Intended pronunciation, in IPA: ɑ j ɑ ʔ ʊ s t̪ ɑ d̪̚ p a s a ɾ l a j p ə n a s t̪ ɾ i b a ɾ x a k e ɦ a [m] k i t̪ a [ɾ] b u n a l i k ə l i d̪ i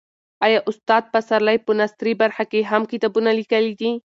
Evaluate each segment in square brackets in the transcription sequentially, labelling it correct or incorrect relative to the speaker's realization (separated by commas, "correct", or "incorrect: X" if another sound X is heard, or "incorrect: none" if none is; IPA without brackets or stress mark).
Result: correct, incorrect: none